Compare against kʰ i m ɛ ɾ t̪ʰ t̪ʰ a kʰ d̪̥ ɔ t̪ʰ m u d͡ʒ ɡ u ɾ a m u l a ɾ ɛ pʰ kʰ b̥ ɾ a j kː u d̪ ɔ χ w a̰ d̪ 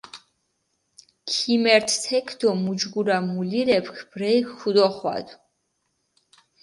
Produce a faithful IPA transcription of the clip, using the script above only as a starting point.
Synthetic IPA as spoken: kʰ i m ɛ ɾ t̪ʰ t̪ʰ ɛ kʰ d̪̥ ɔ m u d͡ʒ ɡ u ɾ a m u l i ɾ ɛ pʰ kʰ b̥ ɾ ɛ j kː u d̪ ɔ χ w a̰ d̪